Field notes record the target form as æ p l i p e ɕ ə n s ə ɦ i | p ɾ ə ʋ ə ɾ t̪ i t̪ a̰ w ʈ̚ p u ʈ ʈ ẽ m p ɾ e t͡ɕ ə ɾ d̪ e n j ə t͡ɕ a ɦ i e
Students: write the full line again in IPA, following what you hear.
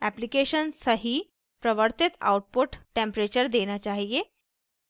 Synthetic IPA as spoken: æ p l i k e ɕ ə n s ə ɦ i | p ɾ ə ʋ ə ɾ t̪ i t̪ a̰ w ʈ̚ p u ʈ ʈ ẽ m p ɾ e t͡ɕ ə ɾ d̪ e n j a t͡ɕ a ɦ i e

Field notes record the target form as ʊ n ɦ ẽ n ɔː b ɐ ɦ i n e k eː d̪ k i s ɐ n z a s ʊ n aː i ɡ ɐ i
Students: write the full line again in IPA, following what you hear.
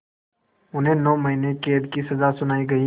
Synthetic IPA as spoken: ʊ n ɦ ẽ n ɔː m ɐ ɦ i n e k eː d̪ k i s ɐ z a s ʊ n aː i ɡ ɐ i

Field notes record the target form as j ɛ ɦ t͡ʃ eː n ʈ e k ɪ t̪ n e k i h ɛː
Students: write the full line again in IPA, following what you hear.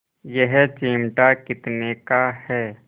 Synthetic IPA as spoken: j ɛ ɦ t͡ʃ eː m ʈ a k ɪ t̪ n e k a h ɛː

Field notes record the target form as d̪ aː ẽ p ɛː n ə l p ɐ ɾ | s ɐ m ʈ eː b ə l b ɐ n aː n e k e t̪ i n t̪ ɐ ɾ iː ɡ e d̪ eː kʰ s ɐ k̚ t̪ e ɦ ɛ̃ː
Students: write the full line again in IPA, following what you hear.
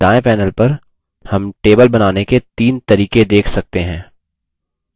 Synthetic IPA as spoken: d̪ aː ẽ p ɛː n ə l p ɐ ɾ | h ɐ m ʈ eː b ə l b ɐ n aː n e k e t̪ iː n t̪ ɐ ɾ iː k e d̪ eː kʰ s ɐ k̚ t̪ e ɦ ɛ̃ː

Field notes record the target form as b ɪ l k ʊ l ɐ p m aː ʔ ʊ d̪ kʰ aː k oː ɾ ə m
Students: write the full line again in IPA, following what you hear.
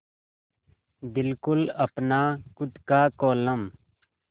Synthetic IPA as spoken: b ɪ l k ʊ l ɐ p n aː k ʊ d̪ k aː k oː l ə m

